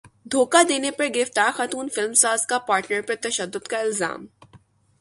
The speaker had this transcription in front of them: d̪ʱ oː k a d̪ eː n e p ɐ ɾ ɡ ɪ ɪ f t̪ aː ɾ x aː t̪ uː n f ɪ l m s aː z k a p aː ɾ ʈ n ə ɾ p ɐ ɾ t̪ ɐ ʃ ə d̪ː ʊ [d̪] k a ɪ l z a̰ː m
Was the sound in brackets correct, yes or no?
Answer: yes